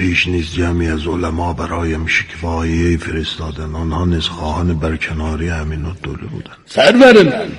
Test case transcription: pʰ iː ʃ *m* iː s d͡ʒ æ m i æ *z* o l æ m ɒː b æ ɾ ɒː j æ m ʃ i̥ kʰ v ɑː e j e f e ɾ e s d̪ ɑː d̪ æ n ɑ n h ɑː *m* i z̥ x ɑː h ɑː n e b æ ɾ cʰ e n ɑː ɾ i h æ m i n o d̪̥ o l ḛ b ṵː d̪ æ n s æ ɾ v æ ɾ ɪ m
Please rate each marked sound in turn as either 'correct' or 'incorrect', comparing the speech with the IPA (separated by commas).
incorrect, correct, incorrect